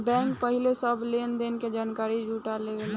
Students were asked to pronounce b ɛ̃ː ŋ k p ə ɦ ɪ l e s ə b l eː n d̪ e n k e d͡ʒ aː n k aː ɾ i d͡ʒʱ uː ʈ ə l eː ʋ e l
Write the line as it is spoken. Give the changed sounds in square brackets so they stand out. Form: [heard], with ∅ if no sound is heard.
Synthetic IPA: b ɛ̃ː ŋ k p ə ɦ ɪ l e s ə b l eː n d̪ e n k e d͡ʒ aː n k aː ɾ i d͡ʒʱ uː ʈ [a] l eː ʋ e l